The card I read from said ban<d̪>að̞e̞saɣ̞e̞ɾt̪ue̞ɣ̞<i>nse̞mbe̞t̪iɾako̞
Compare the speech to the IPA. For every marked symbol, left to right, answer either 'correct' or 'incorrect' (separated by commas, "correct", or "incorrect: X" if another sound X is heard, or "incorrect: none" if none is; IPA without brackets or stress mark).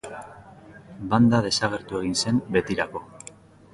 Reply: correct, correct